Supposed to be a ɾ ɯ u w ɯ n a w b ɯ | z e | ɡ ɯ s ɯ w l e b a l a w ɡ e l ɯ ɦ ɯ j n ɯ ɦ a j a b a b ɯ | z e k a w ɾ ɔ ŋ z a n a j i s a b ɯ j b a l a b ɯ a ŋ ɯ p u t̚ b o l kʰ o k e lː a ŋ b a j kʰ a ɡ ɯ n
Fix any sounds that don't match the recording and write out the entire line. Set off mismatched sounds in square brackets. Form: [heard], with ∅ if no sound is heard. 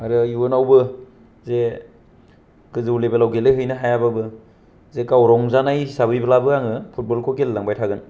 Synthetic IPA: a ɾ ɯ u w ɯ n a w b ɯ | z e | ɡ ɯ [z] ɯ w l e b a l a w ɡ e l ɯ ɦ ɯ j n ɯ ɦ a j a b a b ɯ | z e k a w ɾ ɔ ŋ z a n a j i s a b ɯ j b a l a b ɯ a ŋ ɯ [pʰ] u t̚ b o l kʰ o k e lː a ŋ b a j [tʰ] a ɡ ɯ n